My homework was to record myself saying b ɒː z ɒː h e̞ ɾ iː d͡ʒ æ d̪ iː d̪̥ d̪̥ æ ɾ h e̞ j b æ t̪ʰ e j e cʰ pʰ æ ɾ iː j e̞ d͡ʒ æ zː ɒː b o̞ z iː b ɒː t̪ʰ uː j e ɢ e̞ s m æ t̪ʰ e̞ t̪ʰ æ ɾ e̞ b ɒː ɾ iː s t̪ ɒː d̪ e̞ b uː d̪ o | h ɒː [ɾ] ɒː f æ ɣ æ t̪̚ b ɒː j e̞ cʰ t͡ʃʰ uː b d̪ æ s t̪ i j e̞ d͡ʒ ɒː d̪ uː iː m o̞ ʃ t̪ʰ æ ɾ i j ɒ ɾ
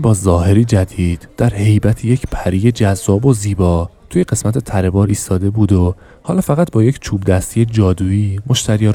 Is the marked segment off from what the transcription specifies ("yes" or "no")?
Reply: yes